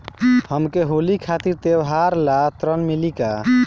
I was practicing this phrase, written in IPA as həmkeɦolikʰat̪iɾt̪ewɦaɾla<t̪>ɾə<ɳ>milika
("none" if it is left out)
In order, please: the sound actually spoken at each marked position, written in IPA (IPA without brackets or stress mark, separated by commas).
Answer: t̪, n